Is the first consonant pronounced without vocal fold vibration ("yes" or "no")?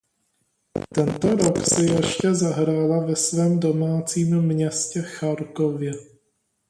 yes